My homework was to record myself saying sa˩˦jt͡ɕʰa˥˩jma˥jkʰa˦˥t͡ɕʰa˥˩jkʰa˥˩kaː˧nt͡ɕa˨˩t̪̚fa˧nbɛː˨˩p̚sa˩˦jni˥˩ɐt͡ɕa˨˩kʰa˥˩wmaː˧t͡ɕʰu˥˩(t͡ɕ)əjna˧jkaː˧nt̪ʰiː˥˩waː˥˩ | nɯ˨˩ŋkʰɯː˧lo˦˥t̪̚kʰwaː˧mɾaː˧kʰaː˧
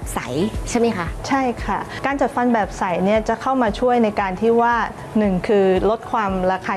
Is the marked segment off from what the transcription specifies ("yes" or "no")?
yes